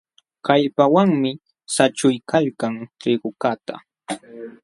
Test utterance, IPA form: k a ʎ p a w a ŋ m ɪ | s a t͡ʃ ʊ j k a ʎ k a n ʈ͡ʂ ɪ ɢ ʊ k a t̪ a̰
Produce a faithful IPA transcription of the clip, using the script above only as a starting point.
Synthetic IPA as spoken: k a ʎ p a w a ŋ m ɪ | s a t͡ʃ ʊ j k a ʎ k a ŋ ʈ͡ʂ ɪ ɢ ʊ k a t̪ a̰